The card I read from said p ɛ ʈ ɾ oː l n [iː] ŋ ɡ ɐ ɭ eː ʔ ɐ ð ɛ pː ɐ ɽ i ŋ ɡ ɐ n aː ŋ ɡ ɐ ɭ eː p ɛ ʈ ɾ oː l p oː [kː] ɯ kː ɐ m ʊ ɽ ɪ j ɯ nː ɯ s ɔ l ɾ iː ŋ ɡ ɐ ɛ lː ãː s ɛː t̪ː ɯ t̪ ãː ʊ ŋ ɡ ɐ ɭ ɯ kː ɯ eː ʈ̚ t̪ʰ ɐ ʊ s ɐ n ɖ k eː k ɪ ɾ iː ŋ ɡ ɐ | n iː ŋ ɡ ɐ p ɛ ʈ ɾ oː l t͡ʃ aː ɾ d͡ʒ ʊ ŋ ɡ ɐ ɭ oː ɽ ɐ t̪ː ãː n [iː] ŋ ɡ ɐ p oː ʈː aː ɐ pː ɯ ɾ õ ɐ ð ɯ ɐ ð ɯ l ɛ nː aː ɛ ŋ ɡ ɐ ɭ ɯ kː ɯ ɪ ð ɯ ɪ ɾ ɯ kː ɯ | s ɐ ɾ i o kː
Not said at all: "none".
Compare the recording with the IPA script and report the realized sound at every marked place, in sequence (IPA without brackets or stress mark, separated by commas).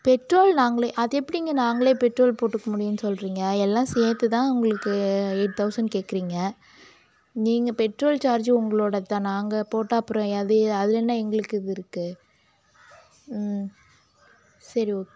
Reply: aː, ʈː, aː